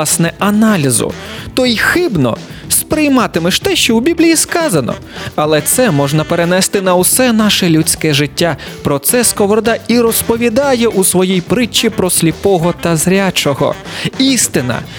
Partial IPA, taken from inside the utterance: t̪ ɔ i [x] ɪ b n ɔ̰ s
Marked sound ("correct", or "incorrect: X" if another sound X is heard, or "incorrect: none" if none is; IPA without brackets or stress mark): correct